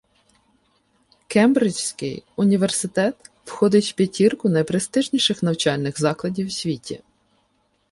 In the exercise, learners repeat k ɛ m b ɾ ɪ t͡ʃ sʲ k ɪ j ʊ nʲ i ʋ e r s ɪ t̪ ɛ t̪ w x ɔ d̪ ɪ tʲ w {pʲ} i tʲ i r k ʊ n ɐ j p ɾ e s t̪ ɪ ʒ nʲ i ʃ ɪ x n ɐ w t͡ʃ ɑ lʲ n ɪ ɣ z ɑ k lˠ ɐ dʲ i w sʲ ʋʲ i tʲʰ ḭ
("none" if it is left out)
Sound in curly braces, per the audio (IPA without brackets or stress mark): pʲ